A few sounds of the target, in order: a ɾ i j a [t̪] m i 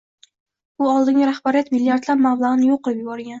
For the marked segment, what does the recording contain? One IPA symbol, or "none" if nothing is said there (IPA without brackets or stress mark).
t̪